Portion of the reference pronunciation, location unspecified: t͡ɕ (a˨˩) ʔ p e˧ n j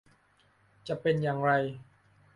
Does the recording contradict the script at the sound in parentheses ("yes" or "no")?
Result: no